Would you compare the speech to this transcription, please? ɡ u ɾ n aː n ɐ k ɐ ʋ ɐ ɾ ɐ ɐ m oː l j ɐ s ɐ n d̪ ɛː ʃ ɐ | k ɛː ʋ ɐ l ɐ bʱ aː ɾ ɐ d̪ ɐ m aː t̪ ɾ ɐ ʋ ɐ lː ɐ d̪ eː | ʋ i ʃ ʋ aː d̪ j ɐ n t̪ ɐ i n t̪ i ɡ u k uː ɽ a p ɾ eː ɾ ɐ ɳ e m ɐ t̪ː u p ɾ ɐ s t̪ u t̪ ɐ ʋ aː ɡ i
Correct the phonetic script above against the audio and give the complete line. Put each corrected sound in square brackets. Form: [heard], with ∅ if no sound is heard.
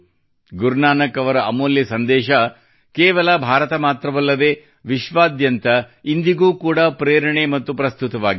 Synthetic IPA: ɡ u ɾ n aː n ɐ k ɐ ʋ ɐ ɾ ɐ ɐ m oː l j ɐ s ɐ n d̪ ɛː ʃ ɐ | k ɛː ʋ ɐ l ɐ bʱ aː ɾ ɐ [t̪] ɐ m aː t̪ ɾ ɐ ʋ ɐ lː ɐ d̪ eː | ʋ i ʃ ʋ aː d̪ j ɐ n t̪ ɐ i n [d̪] i ɡ [uː] k uː ɽ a p ɾ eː ɾ ɐ ɳ e m ɐ t̪ː u p ɾ ɐ s t̪ u t̪ ɐ ʋ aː ɡ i